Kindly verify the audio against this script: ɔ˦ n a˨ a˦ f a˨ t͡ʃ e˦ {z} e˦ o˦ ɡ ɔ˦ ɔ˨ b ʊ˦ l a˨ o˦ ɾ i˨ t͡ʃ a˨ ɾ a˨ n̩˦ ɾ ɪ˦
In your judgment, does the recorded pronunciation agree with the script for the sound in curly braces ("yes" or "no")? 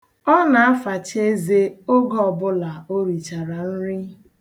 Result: yes